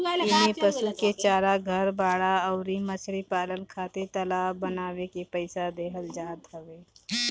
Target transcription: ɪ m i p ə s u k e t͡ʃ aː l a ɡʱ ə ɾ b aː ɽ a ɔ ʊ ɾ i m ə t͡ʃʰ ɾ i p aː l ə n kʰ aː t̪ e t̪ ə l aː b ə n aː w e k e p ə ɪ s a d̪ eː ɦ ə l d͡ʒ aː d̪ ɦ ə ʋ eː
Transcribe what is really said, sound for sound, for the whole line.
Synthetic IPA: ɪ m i p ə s u k e t͡ʃ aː ɾ a ɡʱ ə ɾ b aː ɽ a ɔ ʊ ɾ i m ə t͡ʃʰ ɾ i p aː l ə n kʰ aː t̪ e t̪ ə l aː b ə n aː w e k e p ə ɪ s a d̪ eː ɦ ə l d͡ʒ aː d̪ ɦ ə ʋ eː